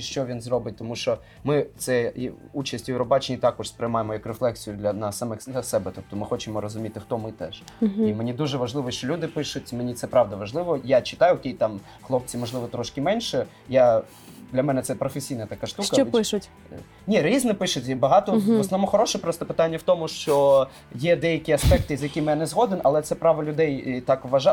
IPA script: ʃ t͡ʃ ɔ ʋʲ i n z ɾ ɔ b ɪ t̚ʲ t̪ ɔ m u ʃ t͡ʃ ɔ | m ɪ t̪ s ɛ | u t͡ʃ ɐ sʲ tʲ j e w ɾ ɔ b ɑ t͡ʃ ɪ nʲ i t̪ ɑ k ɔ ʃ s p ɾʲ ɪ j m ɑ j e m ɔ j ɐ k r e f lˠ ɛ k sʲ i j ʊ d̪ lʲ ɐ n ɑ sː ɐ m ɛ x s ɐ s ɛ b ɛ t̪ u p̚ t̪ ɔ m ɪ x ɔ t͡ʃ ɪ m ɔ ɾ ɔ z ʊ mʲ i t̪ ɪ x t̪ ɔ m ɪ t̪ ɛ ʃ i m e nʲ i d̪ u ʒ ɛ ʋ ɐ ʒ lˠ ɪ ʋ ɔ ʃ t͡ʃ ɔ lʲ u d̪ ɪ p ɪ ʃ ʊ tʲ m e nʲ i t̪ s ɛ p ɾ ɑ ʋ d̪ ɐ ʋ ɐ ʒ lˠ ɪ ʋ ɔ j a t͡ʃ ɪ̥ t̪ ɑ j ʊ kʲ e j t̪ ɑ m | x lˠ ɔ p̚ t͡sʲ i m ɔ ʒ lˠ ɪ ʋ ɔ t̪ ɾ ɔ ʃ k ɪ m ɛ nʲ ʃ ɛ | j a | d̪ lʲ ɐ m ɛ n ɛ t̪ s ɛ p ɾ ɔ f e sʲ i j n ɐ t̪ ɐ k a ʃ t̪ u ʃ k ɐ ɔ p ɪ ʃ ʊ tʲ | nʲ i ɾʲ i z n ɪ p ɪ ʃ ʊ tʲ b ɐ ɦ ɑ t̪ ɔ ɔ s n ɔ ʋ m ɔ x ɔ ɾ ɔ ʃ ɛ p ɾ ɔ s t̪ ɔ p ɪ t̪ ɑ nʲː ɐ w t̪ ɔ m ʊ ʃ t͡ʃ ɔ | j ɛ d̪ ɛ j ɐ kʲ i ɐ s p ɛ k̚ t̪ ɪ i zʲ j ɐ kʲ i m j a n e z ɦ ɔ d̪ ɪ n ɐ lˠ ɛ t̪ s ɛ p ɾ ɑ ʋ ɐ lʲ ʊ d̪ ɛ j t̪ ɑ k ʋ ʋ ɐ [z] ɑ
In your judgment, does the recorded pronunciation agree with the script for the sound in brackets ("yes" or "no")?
no